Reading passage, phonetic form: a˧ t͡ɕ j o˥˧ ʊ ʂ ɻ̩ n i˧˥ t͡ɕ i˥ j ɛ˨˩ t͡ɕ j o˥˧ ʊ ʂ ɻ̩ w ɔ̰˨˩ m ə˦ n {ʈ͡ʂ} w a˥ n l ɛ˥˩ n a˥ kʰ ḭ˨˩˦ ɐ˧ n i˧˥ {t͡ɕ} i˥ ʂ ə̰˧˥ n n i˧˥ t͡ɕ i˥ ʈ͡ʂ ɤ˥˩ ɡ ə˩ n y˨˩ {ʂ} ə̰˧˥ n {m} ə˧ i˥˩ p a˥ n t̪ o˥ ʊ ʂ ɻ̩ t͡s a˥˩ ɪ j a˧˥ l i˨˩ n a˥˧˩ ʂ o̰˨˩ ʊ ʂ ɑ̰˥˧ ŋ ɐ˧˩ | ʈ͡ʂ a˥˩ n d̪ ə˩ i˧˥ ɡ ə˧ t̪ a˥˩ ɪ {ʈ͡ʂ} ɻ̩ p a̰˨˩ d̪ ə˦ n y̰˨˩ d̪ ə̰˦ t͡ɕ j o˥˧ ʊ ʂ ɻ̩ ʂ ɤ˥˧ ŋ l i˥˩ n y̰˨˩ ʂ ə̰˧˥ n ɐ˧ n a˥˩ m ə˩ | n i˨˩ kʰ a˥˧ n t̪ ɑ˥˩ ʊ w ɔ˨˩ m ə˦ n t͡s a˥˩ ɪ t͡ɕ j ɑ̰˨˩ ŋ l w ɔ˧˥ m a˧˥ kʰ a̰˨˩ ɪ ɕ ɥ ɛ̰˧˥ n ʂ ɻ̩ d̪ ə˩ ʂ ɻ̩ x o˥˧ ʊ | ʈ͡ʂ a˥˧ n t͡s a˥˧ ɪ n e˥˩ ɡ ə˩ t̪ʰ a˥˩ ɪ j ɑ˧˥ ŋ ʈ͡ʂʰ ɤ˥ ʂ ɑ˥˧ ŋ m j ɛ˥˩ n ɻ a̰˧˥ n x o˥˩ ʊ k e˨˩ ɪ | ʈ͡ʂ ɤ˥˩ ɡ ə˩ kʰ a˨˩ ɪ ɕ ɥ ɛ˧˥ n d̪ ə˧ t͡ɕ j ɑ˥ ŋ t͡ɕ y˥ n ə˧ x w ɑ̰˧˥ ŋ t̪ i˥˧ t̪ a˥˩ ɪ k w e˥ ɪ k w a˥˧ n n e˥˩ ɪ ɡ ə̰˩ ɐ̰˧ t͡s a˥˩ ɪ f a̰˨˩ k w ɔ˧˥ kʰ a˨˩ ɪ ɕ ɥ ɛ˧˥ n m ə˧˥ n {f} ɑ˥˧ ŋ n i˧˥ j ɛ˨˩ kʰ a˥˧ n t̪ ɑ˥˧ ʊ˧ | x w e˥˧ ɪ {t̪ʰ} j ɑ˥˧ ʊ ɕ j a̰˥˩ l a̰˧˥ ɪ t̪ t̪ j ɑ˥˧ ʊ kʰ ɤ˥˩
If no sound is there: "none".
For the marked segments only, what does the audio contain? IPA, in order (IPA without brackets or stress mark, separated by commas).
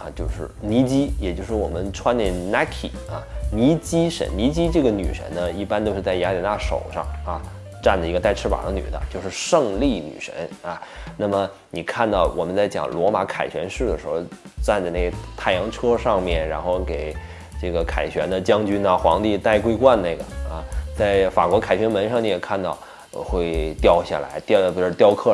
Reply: ʈ͡ʂʰ, t͡ɕ, ʂ, n, ʈ͡ʂʰ, ʂ, t̪